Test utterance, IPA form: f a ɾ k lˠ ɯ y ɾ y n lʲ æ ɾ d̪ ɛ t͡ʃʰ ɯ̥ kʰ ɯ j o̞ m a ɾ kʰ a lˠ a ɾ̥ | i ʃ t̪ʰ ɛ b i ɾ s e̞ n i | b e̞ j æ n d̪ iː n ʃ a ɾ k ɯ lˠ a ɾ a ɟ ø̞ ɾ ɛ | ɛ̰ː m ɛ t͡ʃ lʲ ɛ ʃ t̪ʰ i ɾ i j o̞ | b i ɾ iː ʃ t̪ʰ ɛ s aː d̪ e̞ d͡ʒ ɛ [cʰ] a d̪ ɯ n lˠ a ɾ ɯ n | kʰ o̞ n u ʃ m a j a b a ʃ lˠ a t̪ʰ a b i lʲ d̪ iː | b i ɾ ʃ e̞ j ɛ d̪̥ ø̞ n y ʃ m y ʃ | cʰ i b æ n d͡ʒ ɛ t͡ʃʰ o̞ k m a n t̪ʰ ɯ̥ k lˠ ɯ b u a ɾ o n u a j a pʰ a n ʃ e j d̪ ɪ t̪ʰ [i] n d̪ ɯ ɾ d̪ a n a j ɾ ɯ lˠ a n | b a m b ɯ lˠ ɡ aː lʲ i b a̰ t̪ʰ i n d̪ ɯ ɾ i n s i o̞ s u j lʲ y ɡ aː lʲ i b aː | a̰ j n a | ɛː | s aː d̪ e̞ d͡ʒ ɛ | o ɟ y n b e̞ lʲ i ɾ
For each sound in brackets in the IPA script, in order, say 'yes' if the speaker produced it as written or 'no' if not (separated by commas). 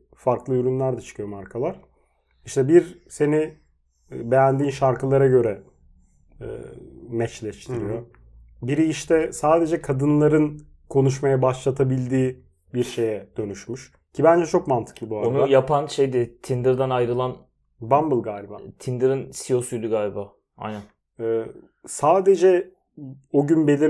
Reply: no, yes